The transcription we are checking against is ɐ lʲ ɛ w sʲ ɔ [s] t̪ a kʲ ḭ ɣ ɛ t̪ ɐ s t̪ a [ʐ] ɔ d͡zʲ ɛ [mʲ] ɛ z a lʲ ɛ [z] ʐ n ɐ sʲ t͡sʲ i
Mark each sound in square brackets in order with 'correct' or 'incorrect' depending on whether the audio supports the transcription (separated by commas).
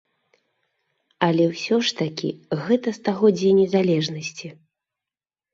incorrect, incorrect, incorrect, incorrect